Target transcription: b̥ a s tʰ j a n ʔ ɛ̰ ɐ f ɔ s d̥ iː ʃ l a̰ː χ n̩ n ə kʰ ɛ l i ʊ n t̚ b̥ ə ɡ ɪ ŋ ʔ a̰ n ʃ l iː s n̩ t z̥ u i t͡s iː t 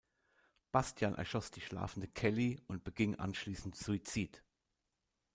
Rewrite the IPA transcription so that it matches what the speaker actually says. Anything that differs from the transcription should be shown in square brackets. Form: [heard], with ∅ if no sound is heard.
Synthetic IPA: b̥ a s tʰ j a n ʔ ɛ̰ ɐ [ʃ] ɔ s d̥ iː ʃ l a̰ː [f] n̩ [d] ə kʰ ɛ l i ʊ n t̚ b̥ ə ɡ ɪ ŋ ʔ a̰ n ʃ l iː s n̩ t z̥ u i t͡s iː t